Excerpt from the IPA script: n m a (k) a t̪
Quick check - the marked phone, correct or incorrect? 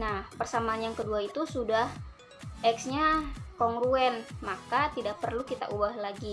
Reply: correct